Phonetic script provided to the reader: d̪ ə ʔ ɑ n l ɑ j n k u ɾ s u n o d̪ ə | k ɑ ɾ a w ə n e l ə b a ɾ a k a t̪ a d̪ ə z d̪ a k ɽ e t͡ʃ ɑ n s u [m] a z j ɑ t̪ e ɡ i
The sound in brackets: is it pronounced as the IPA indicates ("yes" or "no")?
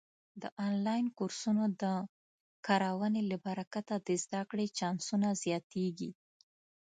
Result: no